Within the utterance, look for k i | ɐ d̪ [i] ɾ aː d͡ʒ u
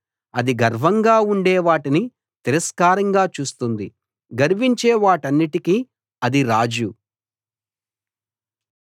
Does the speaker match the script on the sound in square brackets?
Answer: yes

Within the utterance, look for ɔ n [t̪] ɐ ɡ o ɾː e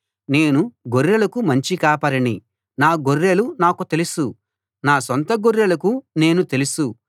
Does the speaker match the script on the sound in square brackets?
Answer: yes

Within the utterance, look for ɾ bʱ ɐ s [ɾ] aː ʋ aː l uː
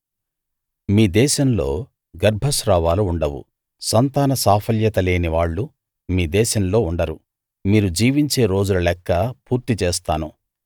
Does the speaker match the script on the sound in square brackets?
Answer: yes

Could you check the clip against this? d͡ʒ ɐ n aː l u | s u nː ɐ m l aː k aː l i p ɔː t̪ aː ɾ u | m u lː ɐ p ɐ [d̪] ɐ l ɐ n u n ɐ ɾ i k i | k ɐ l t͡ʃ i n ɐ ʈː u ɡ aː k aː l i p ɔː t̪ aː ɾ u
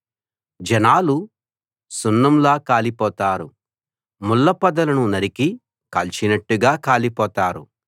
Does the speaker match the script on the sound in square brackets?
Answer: yes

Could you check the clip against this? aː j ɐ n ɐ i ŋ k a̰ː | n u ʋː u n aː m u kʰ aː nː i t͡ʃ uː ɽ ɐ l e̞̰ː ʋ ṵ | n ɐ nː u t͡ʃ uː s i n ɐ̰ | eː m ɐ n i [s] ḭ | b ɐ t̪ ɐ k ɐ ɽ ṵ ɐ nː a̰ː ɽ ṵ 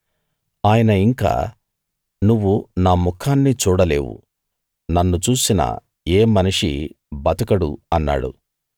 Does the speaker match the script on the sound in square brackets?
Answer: no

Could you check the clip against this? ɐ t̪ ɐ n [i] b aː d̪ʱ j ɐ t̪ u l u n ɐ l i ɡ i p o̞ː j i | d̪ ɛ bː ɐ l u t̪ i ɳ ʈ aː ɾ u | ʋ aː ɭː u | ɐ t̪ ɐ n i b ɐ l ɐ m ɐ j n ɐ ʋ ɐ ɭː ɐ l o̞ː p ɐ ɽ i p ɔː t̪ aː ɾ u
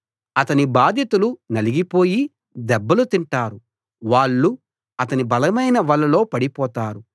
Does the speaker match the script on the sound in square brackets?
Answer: yes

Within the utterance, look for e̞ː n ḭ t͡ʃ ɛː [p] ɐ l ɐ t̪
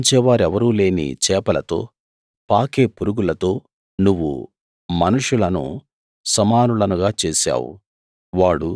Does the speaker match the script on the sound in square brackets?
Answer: yes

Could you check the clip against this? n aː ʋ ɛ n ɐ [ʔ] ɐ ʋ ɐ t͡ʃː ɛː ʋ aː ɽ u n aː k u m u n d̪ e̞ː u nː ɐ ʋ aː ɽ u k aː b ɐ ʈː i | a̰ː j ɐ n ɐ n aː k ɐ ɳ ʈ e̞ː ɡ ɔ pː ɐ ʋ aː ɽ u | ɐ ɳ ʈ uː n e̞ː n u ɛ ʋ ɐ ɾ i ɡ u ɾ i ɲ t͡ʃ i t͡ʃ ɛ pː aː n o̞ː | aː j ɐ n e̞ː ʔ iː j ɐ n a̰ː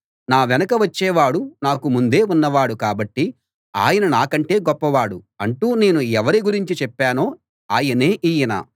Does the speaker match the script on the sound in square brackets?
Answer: no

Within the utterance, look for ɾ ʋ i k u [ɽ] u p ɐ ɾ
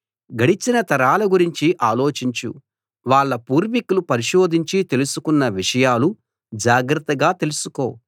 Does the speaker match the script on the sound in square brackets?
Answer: no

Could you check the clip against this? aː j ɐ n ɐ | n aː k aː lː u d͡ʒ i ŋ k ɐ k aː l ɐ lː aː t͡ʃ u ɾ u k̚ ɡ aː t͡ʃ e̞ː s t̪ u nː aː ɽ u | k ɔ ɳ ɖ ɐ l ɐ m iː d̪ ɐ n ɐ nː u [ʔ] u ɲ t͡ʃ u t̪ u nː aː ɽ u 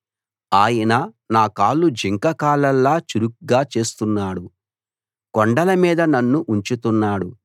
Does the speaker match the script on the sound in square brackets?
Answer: yes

